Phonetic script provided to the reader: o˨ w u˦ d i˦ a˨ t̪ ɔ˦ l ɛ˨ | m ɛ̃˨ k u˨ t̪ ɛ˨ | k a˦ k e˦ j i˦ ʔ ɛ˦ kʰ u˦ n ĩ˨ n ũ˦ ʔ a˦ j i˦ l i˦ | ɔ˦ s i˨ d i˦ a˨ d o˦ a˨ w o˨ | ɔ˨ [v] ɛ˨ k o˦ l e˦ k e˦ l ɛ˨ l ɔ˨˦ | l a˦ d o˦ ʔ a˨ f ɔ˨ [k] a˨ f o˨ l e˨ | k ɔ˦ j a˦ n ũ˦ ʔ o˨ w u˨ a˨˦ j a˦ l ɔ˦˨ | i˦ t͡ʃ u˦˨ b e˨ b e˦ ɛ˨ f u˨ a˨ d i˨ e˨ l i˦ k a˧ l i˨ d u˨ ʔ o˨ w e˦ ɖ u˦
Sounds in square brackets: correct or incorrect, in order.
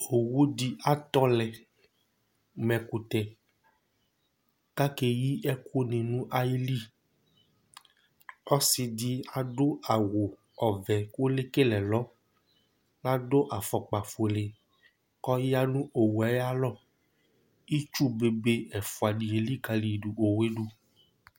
correct, incorrect: k͡p

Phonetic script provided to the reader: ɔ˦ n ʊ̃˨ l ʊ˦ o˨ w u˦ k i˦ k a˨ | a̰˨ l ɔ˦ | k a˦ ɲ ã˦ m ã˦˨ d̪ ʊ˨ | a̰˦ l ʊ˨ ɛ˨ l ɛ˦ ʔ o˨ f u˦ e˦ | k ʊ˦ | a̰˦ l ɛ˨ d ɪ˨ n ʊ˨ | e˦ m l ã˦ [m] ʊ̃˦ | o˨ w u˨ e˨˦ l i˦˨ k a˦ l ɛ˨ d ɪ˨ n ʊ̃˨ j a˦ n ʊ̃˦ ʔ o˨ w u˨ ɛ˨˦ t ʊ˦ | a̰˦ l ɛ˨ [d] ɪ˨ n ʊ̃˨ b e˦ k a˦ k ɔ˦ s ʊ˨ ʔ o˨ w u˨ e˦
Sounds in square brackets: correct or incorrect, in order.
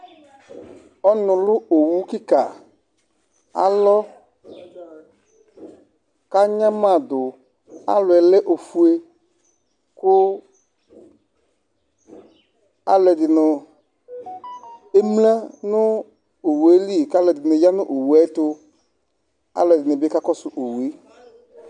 incorrect: n, correct

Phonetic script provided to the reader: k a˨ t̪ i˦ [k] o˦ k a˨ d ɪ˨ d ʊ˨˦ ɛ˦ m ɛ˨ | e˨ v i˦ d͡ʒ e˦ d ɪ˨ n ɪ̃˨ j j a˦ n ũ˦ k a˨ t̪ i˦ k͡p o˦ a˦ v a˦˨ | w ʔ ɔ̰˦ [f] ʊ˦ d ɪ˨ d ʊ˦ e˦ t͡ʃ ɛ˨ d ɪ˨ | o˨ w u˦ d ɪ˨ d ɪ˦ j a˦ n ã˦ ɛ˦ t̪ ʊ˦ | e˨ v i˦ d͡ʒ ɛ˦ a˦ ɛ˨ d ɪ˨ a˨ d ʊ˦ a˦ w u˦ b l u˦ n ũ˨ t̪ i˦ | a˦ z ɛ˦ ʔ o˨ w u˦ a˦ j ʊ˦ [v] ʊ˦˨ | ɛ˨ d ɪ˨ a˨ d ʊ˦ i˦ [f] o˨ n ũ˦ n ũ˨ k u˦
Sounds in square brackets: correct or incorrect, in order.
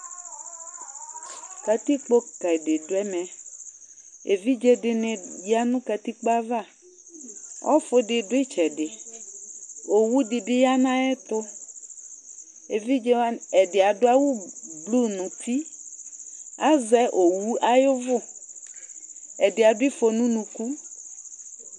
incorrect: k͡p, correct, correct, correct

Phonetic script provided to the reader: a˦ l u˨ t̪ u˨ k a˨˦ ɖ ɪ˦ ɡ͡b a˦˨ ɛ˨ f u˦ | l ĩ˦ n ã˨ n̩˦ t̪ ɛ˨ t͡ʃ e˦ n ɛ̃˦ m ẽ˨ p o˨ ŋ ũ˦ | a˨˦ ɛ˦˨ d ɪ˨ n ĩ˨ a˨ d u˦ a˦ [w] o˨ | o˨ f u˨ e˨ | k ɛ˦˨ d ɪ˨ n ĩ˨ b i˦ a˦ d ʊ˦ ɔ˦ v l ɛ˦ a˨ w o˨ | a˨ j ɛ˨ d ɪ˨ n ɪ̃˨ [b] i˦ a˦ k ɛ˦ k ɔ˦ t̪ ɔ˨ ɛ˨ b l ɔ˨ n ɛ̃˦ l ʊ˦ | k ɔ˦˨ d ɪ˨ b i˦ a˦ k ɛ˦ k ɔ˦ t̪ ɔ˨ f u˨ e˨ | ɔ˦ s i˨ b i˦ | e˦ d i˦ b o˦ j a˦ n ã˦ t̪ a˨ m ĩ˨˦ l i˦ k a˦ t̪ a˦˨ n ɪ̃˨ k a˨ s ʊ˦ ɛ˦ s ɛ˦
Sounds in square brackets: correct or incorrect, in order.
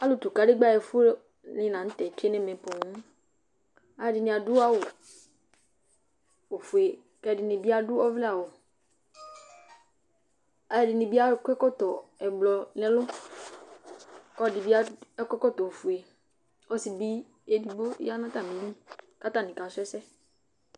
correct, correct

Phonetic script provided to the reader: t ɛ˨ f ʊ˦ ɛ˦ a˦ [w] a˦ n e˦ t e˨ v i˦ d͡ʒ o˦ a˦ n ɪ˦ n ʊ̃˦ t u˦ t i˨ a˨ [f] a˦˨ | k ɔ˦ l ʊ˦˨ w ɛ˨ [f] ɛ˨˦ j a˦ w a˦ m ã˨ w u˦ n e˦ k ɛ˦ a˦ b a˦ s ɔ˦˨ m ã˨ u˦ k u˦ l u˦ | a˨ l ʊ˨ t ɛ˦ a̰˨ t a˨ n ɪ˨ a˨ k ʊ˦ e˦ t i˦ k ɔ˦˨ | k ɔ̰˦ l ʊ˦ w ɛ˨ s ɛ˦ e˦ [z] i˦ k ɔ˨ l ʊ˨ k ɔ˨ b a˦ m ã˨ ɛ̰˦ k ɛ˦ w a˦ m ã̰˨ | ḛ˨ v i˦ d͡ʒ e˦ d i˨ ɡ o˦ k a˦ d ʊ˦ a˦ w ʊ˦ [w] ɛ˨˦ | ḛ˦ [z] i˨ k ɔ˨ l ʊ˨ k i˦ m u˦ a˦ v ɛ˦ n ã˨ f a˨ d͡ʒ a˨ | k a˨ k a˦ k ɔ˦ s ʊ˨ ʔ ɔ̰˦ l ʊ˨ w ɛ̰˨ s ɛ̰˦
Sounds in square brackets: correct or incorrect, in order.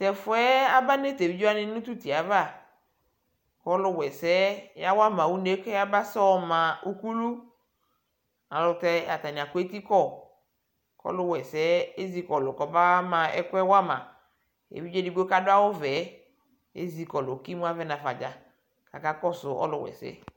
incorrect: b, incorrect: v, incorrect: s, correct, incorrect: v, correct

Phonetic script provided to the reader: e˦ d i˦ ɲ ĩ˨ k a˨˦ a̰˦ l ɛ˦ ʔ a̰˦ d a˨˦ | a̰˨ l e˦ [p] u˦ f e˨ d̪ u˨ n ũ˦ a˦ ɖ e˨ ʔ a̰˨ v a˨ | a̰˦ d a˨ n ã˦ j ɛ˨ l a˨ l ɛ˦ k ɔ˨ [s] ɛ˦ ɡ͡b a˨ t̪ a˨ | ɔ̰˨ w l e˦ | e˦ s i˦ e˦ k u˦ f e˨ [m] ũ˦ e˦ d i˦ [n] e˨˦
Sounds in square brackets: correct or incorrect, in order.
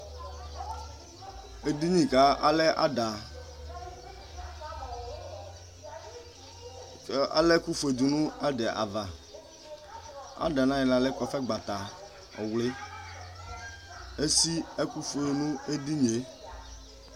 incorrect: k, incorrect: f, incorrect: n, incorrect: ɲ

